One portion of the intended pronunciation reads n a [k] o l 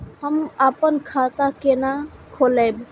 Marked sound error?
yes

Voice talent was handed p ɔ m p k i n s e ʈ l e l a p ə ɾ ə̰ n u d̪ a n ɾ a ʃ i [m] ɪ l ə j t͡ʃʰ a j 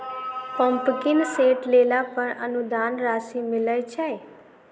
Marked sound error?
no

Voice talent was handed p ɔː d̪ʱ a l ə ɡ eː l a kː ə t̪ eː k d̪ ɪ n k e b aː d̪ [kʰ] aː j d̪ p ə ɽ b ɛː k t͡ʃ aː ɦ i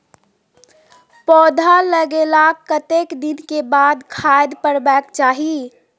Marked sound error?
no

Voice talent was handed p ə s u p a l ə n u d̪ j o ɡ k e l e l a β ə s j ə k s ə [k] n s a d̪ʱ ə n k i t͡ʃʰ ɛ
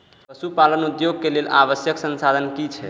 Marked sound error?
yes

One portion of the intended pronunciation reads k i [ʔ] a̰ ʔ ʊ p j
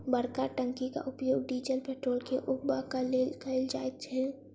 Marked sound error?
yes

